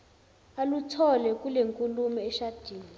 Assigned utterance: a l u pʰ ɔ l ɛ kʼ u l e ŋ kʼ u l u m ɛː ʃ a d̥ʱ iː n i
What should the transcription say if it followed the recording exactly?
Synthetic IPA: a l u tʰ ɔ l ɛ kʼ u l e ŋ kʼ u l u m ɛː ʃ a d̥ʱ iː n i